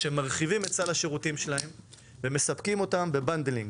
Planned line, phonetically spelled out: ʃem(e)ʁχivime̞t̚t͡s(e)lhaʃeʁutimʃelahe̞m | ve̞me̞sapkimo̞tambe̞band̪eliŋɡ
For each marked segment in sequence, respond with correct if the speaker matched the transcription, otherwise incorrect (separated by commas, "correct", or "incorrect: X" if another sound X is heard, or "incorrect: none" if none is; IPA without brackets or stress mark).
incorrect: a, incorrect: a